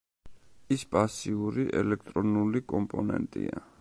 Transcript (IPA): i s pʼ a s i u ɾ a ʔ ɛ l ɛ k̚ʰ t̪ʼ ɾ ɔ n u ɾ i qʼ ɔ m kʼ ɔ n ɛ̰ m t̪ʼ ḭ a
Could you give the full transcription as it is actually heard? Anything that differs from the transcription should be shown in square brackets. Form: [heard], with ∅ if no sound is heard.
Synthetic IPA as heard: i s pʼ a s i u ɾ [i] ʔ ɛ l ɛ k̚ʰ t̪ʼ ɾ ɔ n u [l] i [kʼ] ɔ m [pʼ] ɔ n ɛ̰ [n] t̪ʼ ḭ a